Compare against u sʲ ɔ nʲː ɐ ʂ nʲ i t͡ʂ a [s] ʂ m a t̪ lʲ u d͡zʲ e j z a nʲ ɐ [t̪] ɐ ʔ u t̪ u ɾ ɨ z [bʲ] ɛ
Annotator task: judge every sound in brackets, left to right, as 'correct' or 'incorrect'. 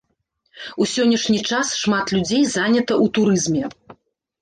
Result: correct, correct, incorrect: mʲ

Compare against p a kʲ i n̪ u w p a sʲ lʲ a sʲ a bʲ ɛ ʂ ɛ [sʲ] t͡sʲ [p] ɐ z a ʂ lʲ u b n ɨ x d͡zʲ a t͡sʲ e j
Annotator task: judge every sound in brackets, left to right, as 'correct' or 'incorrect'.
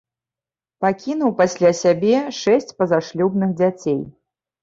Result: correct, correct

